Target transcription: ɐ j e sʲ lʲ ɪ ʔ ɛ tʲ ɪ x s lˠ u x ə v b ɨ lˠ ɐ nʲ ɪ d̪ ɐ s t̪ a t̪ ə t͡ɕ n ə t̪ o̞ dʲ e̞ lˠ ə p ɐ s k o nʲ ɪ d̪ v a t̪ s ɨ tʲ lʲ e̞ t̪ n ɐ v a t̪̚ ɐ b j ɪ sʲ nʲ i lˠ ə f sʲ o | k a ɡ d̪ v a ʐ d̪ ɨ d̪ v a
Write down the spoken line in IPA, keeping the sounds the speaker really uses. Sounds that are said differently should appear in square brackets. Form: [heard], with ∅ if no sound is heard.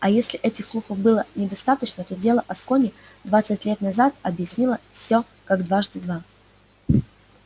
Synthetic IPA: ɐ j e sʲ lʲ ɪ ʔ ɛ tʲ ɪ x s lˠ u x ə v b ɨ lˠ [ə] nʲ ɪ d̪ ɐ s t̪ a t̪ ə t͡ɕ n ə t̪ o̞ dʲ e̞ lˠ ə [ʔ] ɐ s k o nʲ ɪ d̪ v a t̪ s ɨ tʲ lʲ e̞ t̪ n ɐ [z] a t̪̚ ɐ b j ɪ sʲ nʲ i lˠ ə f sʲ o | k a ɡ d̪ v a ʐ d̪ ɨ d̪ v a